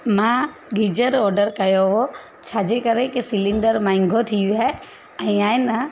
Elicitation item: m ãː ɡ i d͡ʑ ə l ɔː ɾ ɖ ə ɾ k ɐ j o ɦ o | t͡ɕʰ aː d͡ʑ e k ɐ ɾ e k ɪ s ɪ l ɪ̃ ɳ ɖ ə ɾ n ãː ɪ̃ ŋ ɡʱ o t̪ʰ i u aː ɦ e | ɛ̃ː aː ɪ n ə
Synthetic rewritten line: m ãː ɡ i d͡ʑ ə ɾ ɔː ɾ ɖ ə ɾ k ɐ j o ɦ o | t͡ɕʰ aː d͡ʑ e k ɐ ɾ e k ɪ s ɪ l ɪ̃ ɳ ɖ ə ɾ m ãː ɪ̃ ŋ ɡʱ o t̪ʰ i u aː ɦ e | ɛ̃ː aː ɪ n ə